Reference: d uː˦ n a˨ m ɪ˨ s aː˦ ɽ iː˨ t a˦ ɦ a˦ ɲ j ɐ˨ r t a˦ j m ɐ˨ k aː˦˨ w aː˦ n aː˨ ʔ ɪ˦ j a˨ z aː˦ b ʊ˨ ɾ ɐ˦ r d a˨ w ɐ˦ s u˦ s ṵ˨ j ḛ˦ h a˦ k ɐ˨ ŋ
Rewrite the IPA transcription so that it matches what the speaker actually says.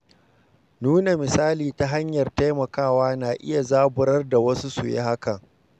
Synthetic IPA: n uː˦ n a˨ m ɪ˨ s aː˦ l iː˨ t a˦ ɦ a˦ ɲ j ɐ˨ r t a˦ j m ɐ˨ k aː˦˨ w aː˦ n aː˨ ʔ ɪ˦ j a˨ z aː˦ b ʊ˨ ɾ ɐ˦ r d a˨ w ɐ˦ s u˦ s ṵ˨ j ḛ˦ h a˦ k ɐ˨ ŋ